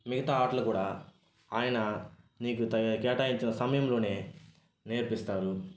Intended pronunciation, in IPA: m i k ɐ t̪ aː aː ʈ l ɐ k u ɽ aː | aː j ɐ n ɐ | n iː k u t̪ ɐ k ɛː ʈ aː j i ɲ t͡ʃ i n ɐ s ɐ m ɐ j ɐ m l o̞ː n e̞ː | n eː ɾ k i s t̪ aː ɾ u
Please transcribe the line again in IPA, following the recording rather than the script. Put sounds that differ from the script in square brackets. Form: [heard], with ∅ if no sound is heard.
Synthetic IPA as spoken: m i [ɡ] ɐ t̪ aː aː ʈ l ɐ k [uː] ɽ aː | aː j ɐ n ɐ | n iː k u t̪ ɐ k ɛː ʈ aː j i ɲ t͡ʃ i n ɐ s ɐ m ɐ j ɐ m l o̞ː n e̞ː | n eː ɾ [p] i s t̪ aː ɾ u